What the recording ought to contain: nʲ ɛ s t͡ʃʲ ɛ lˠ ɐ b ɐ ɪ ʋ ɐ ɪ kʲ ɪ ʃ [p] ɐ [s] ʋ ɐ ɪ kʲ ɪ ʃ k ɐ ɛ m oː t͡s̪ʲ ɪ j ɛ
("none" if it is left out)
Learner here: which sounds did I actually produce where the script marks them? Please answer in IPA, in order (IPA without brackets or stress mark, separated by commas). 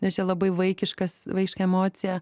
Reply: k, s